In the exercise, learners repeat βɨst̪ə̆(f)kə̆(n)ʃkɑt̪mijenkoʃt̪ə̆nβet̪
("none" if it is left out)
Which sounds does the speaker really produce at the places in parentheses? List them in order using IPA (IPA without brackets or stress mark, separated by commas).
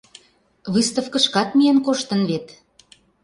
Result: f, none